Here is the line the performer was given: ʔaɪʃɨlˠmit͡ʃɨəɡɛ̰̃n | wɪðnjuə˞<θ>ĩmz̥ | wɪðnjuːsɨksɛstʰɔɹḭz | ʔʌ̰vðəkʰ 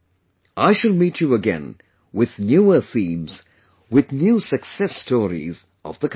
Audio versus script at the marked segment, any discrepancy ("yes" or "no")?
no